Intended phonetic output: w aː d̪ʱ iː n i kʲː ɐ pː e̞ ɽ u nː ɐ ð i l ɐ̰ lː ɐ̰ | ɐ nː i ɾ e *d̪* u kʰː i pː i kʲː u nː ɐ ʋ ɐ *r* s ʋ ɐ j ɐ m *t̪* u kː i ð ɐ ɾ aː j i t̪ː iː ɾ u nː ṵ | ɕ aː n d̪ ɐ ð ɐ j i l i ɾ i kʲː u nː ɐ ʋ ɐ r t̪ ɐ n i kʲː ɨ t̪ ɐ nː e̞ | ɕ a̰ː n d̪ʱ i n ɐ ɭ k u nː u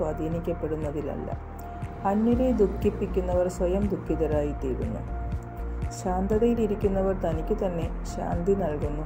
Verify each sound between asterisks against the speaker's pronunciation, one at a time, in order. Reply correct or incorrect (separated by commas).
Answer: correct, correct, incorrect